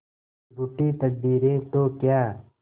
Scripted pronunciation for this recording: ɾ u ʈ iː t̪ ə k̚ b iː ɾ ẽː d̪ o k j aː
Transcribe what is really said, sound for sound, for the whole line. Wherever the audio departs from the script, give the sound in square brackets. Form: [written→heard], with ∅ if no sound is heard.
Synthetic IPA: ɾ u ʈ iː t̪ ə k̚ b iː ɾ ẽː [d̪→t̪] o k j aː